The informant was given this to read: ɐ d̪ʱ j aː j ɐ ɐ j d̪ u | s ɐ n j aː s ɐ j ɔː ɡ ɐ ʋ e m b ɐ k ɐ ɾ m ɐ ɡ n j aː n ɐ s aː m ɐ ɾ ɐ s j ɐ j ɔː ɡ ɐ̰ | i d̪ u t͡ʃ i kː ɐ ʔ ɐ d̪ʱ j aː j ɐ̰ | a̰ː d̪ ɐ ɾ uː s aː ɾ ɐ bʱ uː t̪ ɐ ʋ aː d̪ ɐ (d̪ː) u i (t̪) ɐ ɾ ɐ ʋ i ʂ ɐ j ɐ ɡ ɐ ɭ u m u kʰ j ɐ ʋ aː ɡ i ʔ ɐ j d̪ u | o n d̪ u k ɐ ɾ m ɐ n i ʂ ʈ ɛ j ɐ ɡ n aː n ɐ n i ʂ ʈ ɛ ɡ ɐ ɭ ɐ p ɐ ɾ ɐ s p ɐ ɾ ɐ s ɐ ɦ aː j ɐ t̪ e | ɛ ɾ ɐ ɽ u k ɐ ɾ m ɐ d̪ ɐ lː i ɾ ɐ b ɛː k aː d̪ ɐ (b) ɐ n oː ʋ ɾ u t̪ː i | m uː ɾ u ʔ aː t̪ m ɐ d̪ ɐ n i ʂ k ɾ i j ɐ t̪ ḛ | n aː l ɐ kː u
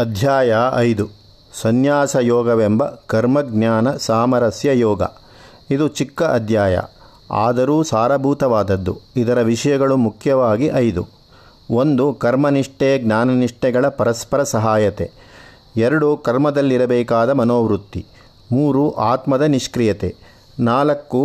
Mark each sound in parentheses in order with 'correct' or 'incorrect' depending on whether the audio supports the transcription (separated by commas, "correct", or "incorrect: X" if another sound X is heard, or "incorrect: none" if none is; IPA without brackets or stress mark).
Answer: correct, incorrect: d̪, incorrect: m